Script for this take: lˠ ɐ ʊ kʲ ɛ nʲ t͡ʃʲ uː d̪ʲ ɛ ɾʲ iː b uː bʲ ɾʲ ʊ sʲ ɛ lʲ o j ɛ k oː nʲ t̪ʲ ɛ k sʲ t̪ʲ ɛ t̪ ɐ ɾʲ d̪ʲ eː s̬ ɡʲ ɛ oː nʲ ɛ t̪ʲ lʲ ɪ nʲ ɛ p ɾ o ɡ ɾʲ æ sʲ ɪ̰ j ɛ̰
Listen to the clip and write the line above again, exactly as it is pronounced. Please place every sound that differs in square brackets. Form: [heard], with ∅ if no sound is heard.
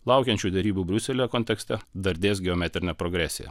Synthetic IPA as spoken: lˠ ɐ ʊ kʲ ɛ nʲ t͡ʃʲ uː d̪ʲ ɛ ɾʲ iː b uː bʲ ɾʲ ʊ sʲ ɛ lʲ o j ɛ k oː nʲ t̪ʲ ɛ k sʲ t̪ʲ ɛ [d̪] ɐ ɾʲ d̪ʲ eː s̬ ɡʲ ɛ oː [mʲ] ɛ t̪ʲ [ɾʲ] ɪ nʲ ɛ p ɾ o ɡ ɾʲ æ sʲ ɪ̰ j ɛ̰